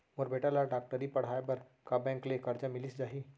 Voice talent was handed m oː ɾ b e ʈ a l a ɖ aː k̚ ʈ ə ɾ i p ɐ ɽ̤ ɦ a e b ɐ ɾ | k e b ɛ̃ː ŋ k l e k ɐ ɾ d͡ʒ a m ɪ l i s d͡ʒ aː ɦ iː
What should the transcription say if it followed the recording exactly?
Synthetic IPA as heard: m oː ɾ b e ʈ a l a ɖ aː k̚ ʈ ə ɾ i p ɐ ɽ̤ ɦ a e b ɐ ɾ | k a b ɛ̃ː ŋ k l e k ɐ ɾ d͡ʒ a m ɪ l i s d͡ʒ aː ɦ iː